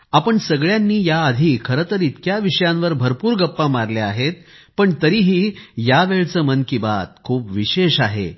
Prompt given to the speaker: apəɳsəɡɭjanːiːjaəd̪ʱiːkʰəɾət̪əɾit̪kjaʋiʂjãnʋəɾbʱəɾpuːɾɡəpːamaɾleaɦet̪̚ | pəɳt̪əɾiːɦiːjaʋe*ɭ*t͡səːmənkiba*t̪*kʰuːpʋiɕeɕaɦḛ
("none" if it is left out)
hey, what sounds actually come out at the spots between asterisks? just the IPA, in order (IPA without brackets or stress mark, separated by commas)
ɭ, t̪